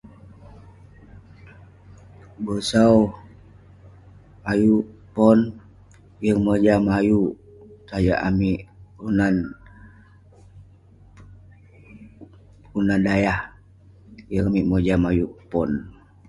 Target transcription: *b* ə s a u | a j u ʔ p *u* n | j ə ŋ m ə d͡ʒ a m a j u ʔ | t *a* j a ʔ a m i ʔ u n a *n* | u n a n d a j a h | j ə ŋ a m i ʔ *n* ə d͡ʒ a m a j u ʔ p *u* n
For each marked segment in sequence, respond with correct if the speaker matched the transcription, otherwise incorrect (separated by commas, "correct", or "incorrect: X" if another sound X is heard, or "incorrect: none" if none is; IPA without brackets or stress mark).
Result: correct, incorrect: ɔ, correct, correct, incorrect: m, incorrect: ɔ